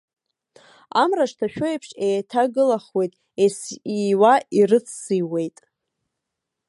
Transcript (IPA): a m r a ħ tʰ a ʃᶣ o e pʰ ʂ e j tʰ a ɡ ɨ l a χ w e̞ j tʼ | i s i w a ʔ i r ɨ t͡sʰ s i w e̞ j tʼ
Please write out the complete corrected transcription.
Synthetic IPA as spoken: a m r a ʂ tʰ a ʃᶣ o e pʰ ʂ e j tʰ a ɡ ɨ l a χ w e̞ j tʼ | e s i w a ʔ i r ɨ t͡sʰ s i w e̞ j tʼ